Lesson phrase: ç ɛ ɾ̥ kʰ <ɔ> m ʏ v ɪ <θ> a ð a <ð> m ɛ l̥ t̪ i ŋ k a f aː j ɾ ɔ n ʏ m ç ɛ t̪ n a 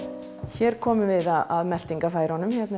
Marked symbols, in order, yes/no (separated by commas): no, no, yes